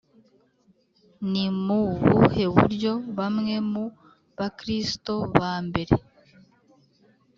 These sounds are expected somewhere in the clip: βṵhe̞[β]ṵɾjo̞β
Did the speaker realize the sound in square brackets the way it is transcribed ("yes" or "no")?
yes